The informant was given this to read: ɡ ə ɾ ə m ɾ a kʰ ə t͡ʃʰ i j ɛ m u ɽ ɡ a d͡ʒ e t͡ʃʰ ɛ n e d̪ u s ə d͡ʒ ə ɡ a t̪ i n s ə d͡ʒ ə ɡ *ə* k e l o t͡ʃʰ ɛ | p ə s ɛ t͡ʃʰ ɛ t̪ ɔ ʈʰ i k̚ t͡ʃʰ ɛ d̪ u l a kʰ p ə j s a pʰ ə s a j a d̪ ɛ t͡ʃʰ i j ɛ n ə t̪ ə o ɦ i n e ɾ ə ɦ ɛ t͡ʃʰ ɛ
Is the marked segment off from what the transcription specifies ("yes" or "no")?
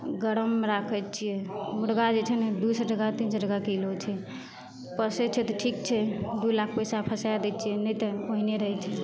yes